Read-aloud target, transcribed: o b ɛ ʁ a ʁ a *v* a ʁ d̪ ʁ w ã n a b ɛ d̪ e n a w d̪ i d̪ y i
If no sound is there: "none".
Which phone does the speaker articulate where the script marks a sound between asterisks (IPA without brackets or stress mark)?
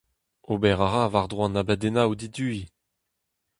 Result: v